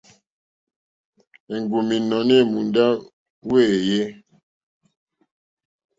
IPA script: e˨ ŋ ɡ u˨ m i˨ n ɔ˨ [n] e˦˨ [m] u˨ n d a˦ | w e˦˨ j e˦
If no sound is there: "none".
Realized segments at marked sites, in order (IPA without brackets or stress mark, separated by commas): n, m